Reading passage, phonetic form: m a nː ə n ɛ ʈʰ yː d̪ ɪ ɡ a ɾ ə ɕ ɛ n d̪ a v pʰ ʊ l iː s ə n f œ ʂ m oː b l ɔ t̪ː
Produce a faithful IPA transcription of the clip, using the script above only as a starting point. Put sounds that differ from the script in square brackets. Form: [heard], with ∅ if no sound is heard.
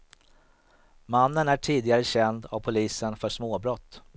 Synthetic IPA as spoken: m a nː ə n [æ] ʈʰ [iː] d̪ ɪ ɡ a ɾ ə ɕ ɛ n d̪ a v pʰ ʊ l iː s ə n f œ ʂ m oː b [ɾ] ɔ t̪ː